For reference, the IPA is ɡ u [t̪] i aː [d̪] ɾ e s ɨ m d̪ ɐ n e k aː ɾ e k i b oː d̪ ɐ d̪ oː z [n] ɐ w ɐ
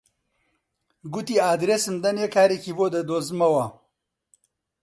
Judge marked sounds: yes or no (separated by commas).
yes, yes, no